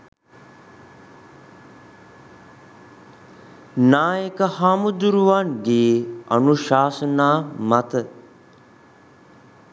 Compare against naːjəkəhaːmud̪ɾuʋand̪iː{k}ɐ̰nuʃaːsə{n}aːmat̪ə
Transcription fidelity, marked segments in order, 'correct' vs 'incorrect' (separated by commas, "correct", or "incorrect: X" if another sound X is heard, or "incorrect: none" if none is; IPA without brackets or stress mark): incorrect: none, correct